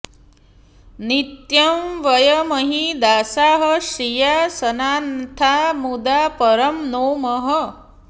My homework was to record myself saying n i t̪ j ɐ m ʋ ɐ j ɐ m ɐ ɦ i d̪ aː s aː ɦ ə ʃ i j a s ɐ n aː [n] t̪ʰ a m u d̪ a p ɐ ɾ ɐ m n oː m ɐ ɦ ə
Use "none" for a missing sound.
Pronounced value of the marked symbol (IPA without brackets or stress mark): n